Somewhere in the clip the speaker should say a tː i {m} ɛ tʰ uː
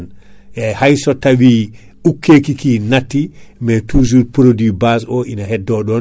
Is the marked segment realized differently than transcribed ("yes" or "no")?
no